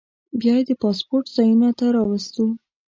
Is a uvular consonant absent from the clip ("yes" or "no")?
yes